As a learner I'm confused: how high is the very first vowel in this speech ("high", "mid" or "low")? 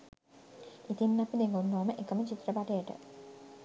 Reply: high